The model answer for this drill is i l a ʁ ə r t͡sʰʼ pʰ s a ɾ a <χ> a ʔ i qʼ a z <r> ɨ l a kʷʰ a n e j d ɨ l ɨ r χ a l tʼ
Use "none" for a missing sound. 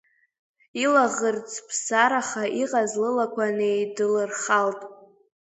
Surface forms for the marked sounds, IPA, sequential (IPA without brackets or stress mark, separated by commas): χ, l